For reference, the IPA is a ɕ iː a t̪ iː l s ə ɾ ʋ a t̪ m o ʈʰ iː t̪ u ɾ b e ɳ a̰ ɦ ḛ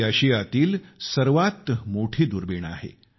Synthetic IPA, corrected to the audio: a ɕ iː a t̪ iː l s ə ɾ ʋ a t̪ m o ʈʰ iː d̪ u ɾ b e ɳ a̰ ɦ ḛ